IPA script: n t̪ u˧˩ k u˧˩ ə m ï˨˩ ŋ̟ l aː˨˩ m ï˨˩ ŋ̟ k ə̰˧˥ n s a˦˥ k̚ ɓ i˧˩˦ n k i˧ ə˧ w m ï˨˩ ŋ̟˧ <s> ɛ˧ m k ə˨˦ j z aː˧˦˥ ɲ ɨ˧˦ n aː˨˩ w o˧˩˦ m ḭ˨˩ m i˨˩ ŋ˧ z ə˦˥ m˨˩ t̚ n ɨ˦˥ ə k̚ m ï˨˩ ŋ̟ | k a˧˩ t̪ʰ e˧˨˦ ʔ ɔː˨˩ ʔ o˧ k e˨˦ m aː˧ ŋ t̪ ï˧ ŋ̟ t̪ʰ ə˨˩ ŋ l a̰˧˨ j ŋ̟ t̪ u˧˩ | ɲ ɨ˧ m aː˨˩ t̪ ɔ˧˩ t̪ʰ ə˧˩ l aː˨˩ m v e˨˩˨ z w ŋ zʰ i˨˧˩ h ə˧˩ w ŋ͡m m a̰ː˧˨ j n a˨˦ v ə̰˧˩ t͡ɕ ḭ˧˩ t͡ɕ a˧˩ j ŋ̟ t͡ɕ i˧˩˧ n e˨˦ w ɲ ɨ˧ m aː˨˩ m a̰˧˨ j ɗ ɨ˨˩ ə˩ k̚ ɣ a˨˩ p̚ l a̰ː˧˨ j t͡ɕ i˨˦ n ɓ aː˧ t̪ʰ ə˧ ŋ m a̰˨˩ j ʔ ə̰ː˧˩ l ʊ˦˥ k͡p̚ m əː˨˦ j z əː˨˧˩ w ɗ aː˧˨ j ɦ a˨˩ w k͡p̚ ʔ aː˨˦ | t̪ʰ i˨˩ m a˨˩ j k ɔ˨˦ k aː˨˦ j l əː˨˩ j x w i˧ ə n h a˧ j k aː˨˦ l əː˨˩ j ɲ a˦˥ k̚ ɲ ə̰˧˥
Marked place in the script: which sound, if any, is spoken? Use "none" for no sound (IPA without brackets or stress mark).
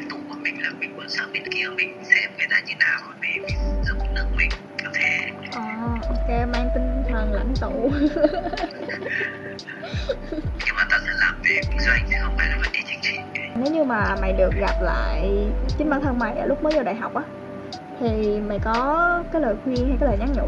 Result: s